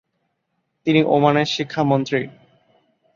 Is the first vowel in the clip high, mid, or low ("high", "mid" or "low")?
high